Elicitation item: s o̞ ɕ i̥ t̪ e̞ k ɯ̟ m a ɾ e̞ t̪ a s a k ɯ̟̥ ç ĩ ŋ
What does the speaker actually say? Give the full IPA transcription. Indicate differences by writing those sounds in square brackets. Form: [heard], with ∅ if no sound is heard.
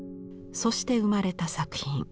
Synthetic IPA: s o̞ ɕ i̥ t̪ e̞ [∅] ɯ̟ m a ɾ e̞ t̪ a s a k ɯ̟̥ ç ĩ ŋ

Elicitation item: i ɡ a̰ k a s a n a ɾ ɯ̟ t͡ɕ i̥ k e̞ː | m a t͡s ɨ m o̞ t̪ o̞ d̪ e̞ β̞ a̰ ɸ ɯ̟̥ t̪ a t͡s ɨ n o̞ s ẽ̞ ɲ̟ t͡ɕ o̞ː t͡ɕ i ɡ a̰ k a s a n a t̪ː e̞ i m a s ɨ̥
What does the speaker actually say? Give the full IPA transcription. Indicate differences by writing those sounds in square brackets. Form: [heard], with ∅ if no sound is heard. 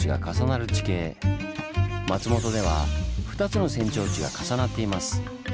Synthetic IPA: i ɡ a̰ k a s a n a ɾ ɯ̟ t͡ɕ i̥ k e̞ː | m a t͡s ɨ m o̞ t̪ o̞ d̪ e̞ β̞ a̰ ɸ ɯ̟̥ t̪ a t͡s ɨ n o̞ s ẽ̞ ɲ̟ t͡ɕ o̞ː t͡ɕ i ɡ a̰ k a s a n a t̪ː e̞ i m a s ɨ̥

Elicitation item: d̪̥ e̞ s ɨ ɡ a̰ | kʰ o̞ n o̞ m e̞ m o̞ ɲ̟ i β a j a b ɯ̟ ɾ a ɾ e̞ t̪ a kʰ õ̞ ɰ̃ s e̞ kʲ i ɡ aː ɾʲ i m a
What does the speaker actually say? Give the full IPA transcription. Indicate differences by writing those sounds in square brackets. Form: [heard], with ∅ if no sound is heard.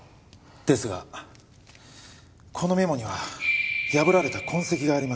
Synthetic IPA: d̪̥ e̞ s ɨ ɡ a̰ | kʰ o̞ n o̞ m e̞ m o̞ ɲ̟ i β a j a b ɯ̟ ɾ a ɾ e̞ t̪ a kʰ õ̞ ɰ̃ s e̞ kʲ i ɡ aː ɾʲ i m a

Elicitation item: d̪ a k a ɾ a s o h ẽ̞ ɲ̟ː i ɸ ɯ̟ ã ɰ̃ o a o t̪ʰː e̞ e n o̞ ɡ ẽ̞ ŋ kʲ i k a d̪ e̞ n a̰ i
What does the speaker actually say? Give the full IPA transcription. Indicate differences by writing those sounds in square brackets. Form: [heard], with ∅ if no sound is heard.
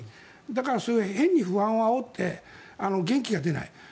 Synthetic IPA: d̪ a k a ɾ a s o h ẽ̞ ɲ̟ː i ɸ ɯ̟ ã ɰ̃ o a o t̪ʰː e̞ [a] n o̞ ɡ ẽ̞ ŋ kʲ i [ɡ] a d̪ e̞ n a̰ i

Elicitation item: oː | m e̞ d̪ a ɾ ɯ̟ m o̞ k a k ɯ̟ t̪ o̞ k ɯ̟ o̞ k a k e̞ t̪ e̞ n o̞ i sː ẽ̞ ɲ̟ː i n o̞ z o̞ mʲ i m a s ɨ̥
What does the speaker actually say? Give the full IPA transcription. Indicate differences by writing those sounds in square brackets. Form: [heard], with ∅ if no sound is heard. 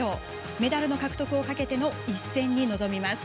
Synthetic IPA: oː | m e̞ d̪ a ɾ ɯ̟ [n] o̞ k a k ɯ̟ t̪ o̞ k ɯ̟ o̞ k a k e̞ t̪ e̞ n o̞ i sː ẽ̞ ɲ̟ː i n o̞ z o̞ mʲ i m a s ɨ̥

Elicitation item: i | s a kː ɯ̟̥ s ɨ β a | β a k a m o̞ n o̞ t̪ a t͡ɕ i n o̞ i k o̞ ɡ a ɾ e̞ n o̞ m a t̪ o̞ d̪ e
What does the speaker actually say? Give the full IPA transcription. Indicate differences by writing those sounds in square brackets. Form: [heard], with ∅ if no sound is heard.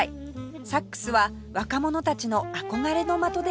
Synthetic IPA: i | s a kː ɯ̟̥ s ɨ β a | β a k a m o̞ n o̞ t̪ a t͡ɕ i n o̞ [a] k o̞ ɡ a ɾ e̞ n o̞ m a t̪ o̞ d̪ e

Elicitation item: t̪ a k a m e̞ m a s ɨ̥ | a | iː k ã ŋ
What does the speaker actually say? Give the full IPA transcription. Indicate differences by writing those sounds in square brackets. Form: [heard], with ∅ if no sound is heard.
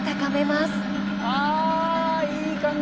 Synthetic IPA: t̪ a k a m e̞ m a s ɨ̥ | a | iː k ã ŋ

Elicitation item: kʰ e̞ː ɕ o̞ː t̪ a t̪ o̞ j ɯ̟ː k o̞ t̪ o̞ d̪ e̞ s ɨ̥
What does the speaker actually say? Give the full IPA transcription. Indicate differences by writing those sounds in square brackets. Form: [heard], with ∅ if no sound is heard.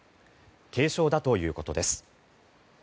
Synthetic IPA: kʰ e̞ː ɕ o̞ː [d̪] a t̪ o̞ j ɯ̟ː k o̞ t̪ o̞ d̪ e̞ s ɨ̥

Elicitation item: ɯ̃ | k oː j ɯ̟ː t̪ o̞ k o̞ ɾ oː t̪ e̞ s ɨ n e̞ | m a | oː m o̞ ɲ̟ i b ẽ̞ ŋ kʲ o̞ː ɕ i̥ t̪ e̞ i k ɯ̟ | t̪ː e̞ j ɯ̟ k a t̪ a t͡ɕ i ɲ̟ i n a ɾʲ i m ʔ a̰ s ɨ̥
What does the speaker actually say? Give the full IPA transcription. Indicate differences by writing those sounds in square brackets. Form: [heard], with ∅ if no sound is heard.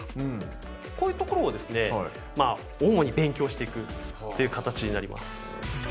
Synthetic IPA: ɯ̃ | k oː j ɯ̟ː t̪ o̞ k o̞ ɾ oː [d̪] e̞ s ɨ n e̞ | m a | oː m o̞ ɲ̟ i b ẽ̞ ŋ kʲ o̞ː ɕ i̥ t̪ e̞ i k ɯ̟ | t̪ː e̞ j ɯ̟ k a t̪ a t͡ɕ i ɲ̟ i n a ɾʲ i m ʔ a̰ s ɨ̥

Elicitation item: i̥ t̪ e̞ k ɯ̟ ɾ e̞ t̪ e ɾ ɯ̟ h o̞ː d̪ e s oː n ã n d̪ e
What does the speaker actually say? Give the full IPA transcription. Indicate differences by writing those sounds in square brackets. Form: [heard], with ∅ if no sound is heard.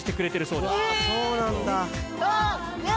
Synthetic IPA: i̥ t̪ e̞ k ɯ̟ ɾ e̞ t̪ e ɾ ɯ̟ [s] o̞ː d̪ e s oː n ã n d̪ [a]

